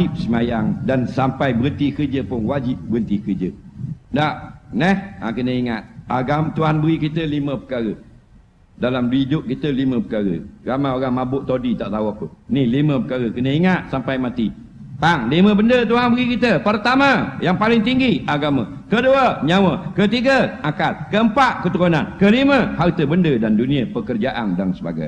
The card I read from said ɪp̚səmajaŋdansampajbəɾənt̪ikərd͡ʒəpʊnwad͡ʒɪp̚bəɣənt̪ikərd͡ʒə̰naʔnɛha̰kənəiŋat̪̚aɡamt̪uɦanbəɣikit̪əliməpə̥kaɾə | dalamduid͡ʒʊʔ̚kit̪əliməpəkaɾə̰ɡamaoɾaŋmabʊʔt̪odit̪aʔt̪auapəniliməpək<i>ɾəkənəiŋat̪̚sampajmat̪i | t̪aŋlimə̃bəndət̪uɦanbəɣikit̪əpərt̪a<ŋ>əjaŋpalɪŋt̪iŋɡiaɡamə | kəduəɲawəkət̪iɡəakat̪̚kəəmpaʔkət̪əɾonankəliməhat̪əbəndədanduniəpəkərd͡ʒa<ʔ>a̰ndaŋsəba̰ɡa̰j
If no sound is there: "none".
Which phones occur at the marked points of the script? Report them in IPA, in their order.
a, m, ʔ

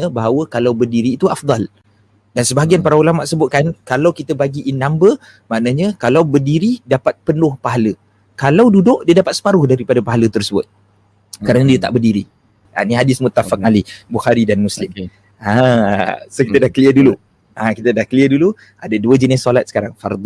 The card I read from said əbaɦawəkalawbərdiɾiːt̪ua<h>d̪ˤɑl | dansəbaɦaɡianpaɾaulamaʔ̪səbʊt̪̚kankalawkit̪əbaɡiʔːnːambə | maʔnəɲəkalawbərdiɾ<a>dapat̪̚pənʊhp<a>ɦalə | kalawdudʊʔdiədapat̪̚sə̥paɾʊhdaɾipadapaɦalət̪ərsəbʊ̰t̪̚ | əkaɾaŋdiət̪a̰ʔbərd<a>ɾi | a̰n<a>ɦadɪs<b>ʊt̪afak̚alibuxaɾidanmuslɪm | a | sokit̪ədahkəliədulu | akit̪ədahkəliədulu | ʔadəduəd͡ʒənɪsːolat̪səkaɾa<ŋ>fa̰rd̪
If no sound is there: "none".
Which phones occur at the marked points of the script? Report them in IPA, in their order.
f, i, a, i, i, m, ŋ

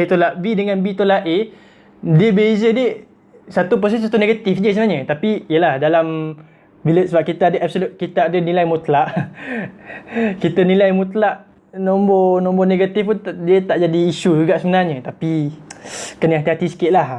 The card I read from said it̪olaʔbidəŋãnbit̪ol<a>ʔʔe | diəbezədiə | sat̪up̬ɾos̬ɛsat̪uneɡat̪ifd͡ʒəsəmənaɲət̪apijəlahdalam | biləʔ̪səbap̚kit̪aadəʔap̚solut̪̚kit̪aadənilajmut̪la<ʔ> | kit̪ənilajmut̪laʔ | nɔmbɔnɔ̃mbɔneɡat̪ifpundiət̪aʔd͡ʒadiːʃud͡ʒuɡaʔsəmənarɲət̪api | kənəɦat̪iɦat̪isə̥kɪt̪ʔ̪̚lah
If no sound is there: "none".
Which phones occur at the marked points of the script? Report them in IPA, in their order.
a, ʔ

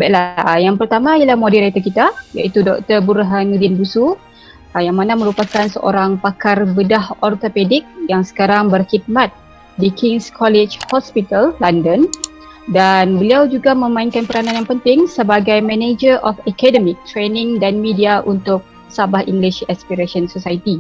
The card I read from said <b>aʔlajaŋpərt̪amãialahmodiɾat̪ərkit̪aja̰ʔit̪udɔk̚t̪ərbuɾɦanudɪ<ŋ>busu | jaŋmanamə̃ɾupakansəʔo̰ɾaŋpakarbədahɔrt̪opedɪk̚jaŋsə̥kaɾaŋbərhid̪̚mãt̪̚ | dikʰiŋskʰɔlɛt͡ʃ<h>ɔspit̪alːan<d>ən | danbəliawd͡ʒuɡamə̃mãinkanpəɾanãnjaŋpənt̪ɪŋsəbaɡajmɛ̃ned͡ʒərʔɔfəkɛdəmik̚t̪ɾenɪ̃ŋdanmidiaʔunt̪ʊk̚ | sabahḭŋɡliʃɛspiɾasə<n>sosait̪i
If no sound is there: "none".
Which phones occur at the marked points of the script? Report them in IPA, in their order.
b, n, h, d, n

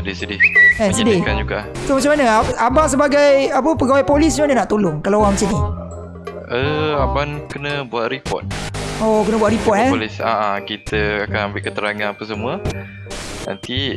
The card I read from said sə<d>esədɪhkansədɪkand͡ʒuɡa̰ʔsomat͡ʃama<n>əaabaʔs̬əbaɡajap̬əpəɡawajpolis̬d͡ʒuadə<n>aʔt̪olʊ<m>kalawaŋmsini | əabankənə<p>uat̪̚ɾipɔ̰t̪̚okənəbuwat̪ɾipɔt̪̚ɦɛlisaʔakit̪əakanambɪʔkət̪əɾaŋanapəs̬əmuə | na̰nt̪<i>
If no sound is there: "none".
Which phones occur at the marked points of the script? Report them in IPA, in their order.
d, n, n, ŋ, b, i

